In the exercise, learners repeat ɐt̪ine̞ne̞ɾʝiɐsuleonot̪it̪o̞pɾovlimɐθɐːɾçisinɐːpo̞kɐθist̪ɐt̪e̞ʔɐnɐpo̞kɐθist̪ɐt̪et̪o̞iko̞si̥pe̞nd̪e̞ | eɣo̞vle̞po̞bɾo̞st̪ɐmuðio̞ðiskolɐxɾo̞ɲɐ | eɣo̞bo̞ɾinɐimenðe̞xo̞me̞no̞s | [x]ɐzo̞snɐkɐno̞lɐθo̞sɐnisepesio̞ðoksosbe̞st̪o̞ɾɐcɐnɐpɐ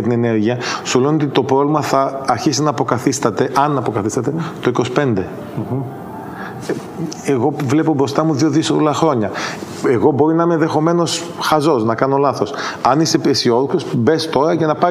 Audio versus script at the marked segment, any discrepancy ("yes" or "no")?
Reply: no